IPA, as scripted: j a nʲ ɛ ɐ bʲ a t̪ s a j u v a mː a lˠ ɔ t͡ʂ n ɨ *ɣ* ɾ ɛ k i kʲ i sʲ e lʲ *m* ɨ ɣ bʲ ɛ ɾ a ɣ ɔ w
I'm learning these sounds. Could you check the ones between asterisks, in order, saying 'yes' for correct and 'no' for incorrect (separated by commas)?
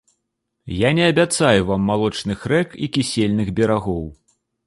no, no